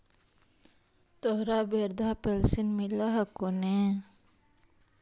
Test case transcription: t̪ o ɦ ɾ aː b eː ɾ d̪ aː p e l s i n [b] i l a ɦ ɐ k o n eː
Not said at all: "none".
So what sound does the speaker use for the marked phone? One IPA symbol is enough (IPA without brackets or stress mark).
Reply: m